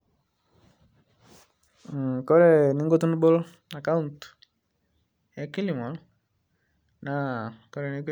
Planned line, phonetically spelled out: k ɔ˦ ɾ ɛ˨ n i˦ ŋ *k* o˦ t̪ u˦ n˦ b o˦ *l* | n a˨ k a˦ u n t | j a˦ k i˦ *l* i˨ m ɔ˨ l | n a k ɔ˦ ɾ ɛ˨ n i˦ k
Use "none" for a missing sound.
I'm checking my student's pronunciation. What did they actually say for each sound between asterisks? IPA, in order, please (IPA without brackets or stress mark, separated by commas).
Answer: ɡ, l, l